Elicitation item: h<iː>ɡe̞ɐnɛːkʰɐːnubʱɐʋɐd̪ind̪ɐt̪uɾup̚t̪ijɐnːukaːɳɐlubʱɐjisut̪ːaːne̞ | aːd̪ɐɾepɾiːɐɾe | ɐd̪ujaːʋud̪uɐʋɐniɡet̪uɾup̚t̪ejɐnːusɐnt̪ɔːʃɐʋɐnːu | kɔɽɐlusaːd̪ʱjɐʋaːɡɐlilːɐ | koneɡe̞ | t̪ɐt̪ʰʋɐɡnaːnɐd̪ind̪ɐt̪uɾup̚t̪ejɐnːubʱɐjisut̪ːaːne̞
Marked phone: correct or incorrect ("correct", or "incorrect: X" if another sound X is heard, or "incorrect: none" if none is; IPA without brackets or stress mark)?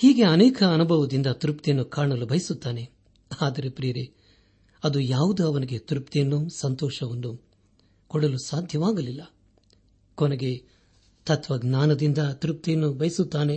correct